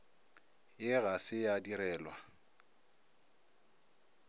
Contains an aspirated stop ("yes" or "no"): no